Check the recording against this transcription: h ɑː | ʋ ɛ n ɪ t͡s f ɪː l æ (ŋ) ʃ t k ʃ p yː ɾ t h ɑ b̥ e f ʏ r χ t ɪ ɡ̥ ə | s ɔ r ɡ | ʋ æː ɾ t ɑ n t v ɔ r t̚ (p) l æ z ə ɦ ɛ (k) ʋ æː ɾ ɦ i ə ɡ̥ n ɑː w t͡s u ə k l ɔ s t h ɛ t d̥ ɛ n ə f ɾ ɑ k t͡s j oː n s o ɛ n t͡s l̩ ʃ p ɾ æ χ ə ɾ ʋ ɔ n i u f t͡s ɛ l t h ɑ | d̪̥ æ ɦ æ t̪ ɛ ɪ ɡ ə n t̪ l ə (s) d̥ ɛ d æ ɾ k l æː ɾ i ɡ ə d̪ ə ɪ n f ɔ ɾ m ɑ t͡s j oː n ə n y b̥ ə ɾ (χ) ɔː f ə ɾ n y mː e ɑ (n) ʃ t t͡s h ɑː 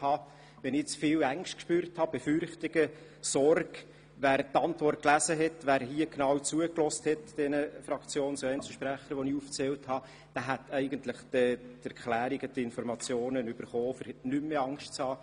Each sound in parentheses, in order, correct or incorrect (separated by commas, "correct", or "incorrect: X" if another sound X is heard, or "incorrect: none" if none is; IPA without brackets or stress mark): correct, incorrect: k, incorrect: t, incorrect: χ, correct, incorrect: ŋ